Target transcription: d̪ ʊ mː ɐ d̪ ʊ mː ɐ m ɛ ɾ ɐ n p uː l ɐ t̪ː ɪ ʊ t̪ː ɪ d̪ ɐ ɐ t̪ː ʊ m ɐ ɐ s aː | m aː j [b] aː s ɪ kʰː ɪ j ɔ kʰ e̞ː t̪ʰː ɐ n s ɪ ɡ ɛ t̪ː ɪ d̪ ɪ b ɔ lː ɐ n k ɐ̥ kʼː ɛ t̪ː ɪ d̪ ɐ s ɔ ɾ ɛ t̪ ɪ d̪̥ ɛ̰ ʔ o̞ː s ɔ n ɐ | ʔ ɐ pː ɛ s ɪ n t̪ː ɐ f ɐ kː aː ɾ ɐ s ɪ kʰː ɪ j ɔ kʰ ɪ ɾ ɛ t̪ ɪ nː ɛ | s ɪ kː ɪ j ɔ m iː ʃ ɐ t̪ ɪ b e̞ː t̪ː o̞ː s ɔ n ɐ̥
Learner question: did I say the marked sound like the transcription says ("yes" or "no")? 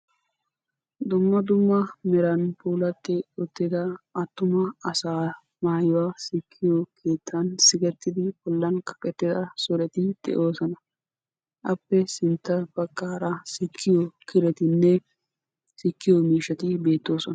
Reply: no